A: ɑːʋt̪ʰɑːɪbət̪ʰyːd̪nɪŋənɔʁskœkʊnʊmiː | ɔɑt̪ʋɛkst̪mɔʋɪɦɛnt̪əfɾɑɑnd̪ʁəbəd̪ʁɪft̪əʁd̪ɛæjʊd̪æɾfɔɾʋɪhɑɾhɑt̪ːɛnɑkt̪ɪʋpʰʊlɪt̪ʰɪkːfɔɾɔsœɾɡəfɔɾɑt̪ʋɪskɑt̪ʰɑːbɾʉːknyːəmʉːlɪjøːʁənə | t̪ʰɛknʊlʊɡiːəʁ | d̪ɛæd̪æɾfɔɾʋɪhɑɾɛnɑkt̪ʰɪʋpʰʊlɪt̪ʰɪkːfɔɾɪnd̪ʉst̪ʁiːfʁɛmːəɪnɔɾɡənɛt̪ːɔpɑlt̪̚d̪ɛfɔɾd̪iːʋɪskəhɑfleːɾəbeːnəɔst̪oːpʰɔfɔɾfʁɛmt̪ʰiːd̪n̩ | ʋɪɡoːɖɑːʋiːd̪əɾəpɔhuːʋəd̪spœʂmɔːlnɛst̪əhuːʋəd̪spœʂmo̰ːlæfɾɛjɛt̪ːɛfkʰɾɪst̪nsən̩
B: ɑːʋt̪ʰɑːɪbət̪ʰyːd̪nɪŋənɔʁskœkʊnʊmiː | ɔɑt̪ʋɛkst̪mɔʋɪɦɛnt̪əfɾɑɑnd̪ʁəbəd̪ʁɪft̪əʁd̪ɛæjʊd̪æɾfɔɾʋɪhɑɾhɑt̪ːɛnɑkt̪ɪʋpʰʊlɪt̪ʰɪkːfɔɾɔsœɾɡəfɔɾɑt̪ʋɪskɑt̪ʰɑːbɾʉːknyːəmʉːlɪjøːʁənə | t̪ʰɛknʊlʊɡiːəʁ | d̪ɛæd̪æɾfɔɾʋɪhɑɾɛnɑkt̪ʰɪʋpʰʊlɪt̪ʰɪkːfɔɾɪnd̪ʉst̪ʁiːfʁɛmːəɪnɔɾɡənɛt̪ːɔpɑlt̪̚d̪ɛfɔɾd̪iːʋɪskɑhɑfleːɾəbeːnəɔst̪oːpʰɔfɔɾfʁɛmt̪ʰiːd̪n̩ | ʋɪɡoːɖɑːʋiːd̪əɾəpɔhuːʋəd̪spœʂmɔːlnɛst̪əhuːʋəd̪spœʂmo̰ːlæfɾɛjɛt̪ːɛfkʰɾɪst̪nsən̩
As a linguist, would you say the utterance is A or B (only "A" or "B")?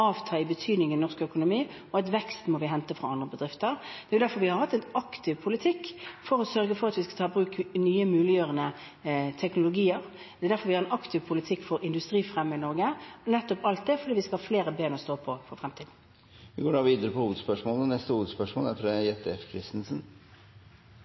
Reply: B